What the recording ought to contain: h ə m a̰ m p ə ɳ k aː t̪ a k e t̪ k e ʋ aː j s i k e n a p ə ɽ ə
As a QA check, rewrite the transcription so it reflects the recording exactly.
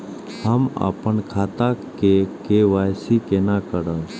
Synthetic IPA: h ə m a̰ p ə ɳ kʰ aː t̪ a k e k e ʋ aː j s i k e n a k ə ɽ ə

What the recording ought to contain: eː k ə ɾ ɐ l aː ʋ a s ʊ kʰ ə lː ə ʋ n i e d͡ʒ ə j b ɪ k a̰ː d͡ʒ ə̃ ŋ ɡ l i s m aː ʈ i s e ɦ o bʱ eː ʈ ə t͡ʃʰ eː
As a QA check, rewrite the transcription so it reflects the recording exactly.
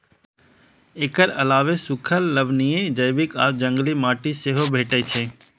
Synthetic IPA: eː k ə ɾ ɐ l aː ʋ e s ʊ kʰ ə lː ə ʋ n i e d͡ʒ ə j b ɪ k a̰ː d͡ʒ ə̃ ŋ ɡ l i m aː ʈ i s e ɦ o bʱ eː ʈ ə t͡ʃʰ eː

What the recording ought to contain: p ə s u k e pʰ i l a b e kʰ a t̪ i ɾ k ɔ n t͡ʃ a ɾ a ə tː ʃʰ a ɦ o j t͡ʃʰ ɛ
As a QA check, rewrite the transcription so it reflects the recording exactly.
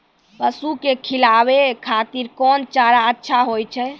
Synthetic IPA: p ə s u k e kʰ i l a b e kʰ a t̪ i ɾ k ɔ n t͡ʃ a ɾ a ə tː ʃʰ a ɦ o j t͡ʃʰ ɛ

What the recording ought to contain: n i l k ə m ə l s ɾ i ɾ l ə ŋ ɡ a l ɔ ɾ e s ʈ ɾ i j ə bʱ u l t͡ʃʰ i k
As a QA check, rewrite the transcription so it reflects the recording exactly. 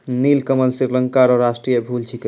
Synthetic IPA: n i l k ə m ə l s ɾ i ɾ l ə ŋ k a ɾ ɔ ɾ a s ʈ ɾ i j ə bʱ u l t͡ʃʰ i k

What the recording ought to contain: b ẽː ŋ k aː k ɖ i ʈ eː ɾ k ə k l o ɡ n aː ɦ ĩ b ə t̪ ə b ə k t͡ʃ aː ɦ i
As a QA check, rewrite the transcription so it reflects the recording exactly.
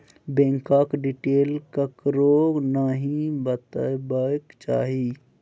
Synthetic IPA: b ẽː ŋ k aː k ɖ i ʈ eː l k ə k ɾ o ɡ n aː ɦ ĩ b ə t̪ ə b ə k t͡ʃ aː ɦ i

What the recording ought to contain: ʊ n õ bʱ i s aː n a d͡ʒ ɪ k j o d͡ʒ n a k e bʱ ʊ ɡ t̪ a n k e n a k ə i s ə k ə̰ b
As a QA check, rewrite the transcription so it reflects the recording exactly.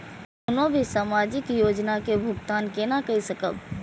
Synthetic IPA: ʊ n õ bʱ i s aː m a d͡ʒ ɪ k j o d͡ʒ n a k e bʱ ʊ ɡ t̪ a n k e n a k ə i s ə k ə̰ b

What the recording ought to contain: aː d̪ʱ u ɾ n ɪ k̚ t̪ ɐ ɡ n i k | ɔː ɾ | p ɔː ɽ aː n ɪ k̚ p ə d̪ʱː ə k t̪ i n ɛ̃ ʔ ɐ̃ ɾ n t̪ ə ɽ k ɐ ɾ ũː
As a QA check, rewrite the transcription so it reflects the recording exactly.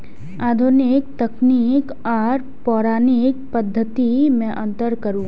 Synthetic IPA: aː d̪ʱ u n ɪ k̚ t̪ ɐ k n i k | ɔː ɾ | p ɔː ɾ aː n ɪ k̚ p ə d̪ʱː ə t̪ i m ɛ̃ ʔ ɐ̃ n t̪ ə ɾ k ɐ ɾ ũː

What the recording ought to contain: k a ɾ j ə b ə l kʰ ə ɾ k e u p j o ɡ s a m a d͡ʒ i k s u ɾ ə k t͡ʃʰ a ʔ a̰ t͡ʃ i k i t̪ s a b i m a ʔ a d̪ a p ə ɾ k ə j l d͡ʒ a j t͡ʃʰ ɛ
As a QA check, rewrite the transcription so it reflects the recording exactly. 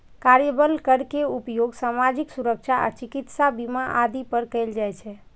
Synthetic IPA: k a ɾ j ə b ə l k ə ɾ k e u p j o ɡ s a m a d͡ʒ i k s u ɾ ə k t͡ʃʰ a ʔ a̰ t͡ʃ i k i t̪ s a b i m a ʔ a d̪ i p ə ɾ k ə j l d͡ʒ a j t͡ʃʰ ɛ

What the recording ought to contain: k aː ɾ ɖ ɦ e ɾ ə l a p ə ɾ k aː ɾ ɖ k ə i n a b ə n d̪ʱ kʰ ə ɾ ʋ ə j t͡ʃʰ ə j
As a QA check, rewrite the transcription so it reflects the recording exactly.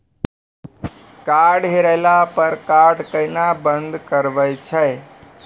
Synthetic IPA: k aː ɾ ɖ ɦ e ɾ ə l a p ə ɾ k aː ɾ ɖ k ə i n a b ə n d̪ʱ k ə ɾ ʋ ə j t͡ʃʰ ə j

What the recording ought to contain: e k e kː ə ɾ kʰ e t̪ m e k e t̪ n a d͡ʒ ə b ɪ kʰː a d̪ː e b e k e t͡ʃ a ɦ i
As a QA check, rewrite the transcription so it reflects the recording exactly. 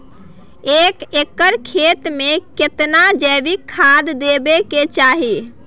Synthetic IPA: e k e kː ə ɾ kʰ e t̪ m e k e t̪ n a d͡ʒ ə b i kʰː a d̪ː e b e k e t͡ʃ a ɦ i

